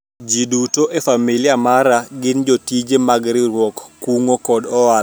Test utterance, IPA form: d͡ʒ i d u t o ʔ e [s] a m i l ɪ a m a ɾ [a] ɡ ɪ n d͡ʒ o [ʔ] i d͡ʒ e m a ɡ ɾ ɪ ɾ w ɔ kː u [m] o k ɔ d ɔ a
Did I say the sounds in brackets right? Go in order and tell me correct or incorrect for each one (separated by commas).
incorrect, correct, incorrect, incorrect